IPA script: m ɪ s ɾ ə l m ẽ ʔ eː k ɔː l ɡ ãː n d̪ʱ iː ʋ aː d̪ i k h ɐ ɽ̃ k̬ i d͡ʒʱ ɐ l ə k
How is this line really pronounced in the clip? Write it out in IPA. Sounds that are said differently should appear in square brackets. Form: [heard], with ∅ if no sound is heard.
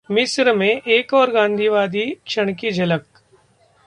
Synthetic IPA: m ɪ s ɾ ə [∅] m ẽ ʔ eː k ɔː [ɾ] ɡ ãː n d̪ʱ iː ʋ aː d̪ i k [ʃ] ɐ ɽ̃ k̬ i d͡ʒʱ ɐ l ə k